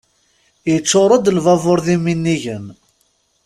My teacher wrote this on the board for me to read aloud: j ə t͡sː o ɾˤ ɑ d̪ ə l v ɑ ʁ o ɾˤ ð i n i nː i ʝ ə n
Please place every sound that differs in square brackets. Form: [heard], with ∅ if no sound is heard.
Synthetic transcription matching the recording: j ə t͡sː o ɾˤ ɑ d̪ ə l v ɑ [v] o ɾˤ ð i [m] i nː i ʝ ə n